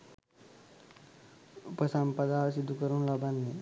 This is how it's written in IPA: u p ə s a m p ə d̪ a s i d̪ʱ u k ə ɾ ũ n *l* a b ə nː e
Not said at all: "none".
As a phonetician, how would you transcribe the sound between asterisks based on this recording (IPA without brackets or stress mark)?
l